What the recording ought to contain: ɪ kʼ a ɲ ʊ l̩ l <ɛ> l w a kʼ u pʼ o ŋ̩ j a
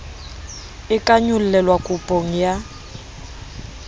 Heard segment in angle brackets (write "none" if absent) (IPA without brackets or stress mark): ɛ